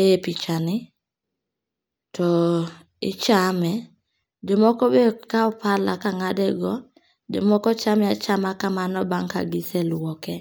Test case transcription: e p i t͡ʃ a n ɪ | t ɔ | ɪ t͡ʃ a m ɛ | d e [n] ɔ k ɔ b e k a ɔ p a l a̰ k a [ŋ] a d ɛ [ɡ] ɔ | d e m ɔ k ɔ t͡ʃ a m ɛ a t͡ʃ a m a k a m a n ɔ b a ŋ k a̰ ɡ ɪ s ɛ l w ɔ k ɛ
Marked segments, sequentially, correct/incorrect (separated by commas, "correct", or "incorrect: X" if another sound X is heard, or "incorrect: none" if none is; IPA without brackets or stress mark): incorrect: m, correct, correct